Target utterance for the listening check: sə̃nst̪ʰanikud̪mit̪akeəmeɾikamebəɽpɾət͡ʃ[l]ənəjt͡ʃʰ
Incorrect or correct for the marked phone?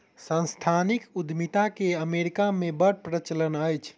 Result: correct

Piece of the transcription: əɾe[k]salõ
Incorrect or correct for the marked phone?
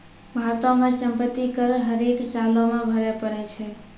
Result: correct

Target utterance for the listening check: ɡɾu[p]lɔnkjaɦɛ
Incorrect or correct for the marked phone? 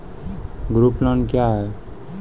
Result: correct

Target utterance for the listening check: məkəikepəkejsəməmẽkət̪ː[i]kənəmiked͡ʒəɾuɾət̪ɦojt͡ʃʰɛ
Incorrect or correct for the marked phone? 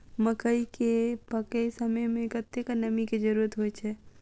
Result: incorrect: e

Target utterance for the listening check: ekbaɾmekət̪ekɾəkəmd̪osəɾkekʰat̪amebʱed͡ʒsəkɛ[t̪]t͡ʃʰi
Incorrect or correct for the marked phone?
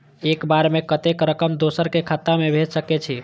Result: incorrect: none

